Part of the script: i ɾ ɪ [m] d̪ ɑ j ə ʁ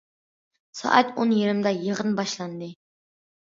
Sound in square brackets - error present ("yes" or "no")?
no